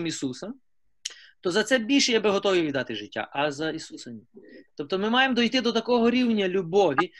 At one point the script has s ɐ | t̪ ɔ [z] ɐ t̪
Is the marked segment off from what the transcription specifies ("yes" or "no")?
no